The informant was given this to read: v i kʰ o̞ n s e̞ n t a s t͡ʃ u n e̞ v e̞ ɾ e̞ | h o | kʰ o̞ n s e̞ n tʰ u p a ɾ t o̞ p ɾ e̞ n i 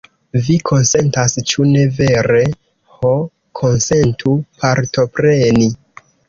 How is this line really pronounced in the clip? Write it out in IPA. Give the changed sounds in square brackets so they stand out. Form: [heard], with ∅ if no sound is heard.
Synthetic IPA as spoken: v i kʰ o̞ n s e̞ n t a s t͡ʃ u n e̞ v e̞ ɾ e̞ | h o | kʰ o̞ n s e̞ n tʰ u p a ɾ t o̞ p ɾ e̞ n i